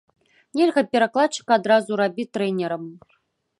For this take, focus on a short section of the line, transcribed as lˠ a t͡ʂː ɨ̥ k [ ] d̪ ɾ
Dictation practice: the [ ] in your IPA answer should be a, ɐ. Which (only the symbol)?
a